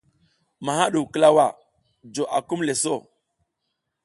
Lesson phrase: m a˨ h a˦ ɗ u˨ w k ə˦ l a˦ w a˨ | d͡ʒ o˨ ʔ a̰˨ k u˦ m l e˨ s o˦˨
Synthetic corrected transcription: m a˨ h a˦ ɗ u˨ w k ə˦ l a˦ w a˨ | d͡ʒ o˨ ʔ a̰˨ k u˦ m l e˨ s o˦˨